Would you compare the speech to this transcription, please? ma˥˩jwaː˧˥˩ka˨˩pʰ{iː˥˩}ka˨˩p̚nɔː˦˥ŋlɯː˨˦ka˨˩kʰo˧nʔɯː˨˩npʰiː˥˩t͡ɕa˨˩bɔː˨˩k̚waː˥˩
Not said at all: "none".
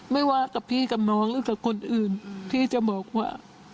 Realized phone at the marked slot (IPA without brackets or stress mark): iː˥˩